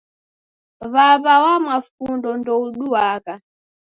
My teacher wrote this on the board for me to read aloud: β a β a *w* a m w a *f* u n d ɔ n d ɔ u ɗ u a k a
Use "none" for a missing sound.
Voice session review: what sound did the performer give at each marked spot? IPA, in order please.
w, f

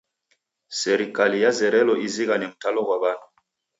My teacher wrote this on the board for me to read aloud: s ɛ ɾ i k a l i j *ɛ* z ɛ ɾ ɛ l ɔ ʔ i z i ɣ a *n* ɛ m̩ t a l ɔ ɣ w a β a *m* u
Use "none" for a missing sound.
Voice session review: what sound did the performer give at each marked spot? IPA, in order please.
a, n, n

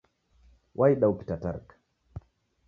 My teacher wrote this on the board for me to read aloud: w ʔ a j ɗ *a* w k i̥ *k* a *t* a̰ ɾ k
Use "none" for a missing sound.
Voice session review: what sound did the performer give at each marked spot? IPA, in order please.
a, t, t

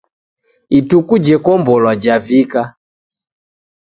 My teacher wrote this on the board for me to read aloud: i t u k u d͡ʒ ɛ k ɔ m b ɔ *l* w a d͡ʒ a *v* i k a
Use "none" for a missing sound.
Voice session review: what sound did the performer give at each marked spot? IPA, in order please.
l, v

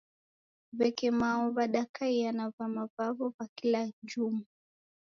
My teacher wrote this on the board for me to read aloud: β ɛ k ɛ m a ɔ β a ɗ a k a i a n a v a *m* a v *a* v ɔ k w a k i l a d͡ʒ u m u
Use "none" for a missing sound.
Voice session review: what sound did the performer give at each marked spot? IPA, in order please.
m, a

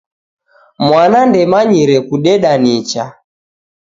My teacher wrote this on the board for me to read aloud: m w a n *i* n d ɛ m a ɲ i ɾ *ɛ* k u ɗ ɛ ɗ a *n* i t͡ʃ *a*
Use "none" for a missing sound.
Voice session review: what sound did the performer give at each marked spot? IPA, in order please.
a, ɛ, n, a

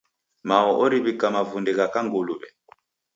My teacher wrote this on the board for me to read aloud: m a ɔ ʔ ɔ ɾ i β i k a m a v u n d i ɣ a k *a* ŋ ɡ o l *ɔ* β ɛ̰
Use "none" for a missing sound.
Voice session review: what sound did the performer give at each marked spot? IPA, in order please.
a, u

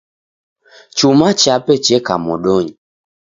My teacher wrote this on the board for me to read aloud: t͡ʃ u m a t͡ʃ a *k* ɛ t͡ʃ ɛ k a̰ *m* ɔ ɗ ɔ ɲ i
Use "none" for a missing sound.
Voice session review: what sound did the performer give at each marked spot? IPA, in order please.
p, m

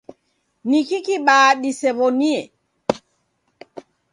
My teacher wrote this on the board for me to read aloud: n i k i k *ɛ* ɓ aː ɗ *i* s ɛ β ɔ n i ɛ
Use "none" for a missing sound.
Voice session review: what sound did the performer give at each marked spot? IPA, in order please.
i, i

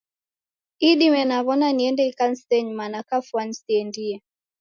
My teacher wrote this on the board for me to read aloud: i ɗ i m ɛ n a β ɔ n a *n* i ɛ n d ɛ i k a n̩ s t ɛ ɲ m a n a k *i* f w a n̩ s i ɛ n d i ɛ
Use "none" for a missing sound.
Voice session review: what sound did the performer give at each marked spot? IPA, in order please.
n, a

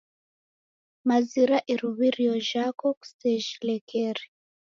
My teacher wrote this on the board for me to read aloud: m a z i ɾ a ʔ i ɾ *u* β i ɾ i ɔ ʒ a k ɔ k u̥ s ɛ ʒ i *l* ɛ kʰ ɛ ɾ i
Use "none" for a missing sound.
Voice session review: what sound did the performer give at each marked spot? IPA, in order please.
u, l

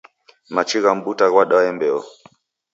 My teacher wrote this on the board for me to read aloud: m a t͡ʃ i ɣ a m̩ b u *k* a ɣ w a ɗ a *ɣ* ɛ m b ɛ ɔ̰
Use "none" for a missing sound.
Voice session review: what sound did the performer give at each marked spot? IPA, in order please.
t, none

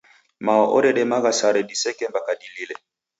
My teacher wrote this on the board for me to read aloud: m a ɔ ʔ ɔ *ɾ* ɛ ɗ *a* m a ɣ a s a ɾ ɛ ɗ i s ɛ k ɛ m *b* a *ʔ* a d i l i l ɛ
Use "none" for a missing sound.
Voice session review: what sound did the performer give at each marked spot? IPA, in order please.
ɾ, ɛ, b, k

